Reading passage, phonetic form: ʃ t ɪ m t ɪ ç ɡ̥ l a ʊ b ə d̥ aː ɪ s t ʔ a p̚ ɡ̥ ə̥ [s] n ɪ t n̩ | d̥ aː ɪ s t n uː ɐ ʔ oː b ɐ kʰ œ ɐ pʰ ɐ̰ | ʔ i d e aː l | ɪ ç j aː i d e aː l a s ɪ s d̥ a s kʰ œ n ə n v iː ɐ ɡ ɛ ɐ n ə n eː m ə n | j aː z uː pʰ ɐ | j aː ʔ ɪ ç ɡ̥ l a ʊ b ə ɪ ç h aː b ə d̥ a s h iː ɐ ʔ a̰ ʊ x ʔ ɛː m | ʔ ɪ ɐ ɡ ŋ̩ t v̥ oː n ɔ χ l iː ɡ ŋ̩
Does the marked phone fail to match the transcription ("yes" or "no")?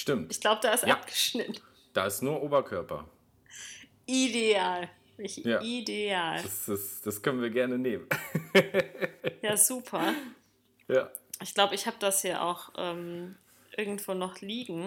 yes